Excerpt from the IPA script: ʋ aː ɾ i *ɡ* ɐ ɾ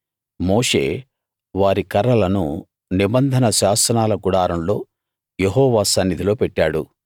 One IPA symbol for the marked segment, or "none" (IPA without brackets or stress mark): k